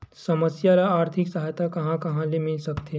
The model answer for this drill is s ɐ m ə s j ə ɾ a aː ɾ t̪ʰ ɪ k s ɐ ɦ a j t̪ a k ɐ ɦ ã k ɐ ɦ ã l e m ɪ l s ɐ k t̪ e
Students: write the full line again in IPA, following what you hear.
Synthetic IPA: s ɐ m ə s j a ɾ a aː ɾ t̪ʰ ɪ k s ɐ ɦ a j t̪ a k ɐ ɦ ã k ɐ ɦ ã l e m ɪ l s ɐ k t̪ e